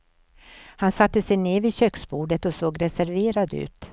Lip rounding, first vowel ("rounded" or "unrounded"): unrounded